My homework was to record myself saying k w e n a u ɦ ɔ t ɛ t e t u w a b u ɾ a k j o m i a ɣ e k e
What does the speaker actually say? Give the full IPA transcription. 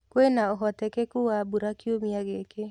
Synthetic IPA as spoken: k w e n a o ɦ ɔ t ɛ k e k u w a b u ɾ a k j o m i a ɣ e k e